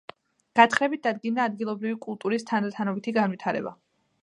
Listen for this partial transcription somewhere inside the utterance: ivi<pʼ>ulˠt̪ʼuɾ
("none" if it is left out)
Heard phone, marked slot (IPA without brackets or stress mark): kʼ